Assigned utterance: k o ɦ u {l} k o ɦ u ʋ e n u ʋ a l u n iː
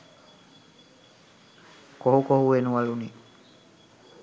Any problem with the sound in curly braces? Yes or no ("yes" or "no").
yes